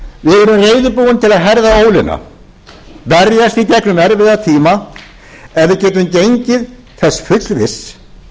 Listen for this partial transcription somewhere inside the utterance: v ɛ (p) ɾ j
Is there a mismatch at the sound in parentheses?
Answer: yes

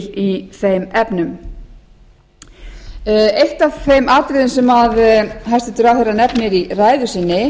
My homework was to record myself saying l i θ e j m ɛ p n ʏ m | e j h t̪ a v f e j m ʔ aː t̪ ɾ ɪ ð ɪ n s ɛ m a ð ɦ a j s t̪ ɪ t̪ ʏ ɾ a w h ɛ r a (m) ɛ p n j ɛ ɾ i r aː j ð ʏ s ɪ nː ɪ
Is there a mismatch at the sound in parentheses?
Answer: yes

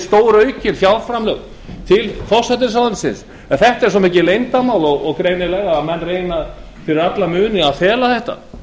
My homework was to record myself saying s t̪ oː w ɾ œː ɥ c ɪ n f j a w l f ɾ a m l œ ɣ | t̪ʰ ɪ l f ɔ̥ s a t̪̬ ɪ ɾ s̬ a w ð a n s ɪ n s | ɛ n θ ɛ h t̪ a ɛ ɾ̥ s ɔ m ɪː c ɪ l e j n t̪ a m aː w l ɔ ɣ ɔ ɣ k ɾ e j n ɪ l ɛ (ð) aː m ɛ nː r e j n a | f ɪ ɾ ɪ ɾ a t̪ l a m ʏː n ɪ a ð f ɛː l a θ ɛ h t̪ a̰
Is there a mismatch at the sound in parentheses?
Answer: yes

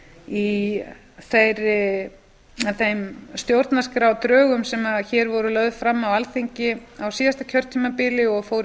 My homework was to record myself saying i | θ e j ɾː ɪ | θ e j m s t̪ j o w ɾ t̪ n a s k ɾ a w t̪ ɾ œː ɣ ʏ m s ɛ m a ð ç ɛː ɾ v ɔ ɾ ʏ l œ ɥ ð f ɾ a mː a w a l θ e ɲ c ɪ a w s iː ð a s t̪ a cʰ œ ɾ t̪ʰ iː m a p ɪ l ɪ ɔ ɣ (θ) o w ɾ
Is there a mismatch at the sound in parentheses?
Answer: yes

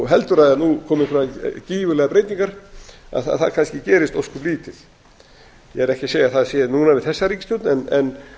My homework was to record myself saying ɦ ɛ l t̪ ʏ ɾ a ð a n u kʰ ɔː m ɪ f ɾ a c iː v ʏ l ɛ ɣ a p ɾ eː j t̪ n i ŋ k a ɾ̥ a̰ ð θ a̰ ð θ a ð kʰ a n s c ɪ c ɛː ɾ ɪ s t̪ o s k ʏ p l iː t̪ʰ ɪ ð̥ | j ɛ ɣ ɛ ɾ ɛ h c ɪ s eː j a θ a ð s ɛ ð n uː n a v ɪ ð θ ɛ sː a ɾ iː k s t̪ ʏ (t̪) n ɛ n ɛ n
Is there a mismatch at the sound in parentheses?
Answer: no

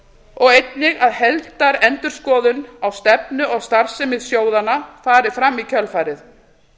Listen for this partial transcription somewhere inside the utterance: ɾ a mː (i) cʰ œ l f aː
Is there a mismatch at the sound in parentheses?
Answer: no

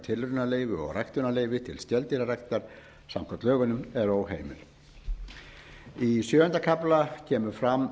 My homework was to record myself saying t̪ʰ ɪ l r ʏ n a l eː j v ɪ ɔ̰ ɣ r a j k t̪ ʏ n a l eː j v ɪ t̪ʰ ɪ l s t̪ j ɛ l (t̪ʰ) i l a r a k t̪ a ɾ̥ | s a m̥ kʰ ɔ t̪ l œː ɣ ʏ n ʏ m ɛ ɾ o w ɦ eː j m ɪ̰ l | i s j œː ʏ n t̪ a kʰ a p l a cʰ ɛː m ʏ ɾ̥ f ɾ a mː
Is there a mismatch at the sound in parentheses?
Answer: yes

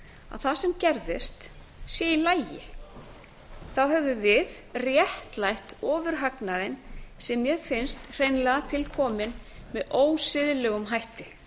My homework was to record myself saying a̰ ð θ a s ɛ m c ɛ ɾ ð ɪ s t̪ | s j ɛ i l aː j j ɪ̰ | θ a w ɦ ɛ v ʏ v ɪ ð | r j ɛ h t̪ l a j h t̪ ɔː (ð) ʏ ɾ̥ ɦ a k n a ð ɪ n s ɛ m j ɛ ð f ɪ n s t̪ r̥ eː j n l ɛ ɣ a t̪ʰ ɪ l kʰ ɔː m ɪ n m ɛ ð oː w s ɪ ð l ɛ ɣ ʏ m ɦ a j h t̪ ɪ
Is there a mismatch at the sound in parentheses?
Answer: yes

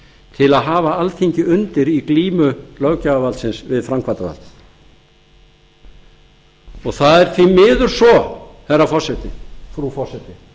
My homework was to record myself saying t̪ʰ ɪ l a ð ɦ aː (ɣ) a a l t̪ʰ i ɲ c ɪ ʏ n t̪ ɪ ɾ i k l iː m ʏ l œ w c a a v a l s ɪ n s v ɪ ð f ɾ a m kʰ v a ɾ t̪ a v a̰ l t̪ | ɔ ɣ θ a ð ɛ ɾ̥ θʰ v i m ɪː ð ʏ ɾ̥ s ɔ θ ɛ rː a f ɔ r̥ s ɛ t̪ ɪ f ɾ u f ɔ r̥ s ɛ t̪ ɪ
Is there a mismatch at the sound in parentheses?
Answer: yes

